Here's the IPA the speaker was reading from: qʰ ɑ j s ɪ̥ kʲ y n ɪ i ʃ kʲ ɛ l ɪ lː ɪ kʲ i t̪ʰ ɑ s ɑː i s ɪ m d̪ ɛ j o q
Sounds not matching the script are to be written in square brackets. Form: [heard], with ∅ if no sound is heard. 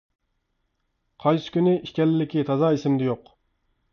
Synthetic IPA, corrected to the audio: qʰ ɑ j s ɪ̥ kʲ y n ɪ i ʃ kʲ ɛ l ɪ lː ɪ kʲ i t̪ʰ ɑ [z] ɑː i s ɪ m d̪ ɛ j o q

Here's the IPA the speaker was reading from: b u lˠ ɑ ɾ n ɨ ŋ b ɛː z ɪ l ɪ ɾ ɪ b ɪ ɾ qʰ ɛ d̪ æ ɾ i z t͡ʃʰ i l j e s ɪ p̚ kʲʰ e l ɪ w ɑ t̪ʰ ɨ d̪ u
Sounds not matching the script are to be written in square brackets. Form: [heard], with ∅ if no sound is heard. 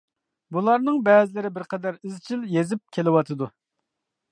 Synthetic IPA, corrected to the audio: b u lˠ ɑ ɾ n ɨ ŋ b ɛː z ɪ l ɪ ɾ ɪ b ɪ ɾ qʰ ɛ d̪ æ ɾ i z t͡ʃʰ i l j e [z] ɪ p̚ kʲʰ e l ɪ w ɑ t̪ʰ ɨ d̪ u

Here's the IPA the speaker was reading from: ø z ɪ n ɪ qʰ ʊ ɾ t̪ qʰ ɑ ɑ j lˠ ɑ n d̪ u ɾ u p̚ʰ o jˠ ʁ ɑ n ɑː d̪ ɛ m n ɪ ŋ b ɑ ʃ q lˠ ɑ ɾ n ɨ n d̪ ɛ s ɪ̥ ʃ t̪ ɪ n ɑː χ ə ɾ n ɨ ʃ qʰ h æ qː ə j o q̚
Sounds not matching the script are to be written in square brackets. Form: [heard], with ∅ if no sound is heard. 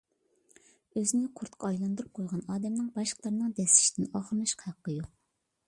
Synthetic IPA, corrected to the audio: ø z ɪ n ɪ qʰ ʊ ɾ t̪ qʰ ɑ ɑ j lˠ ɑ n d̪ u ɾ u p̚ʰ o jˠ ʁ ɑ n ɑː d̪ ɛ m n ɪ ŋ b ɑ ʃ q lˠ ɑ ɾ n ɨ [ŋ] d̪ ɛ s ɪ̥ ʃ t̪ ɪ n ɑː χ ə ɾ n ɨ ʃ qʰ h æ qː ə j o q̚

